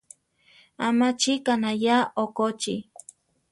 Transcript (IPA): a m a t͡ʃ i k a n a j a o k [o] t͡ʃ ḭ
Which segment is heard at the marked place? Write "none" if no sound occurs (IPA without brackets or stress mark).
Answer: o